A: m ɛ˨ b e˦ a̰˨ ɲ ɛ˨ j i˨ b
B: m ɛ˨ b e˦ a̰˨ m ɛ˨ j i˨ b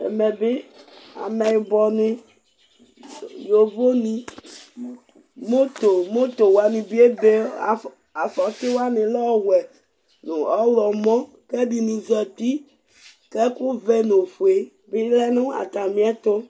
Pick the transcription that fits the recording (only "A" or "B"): B